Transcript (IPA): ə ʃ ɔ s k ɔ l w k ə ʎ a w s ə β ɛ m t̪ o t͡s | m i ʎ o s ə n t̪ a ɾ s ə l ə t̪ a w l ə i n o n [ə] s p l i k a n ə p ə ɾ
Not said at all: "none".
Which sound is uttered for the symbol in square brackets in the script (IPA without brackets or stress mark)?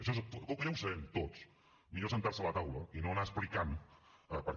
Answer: a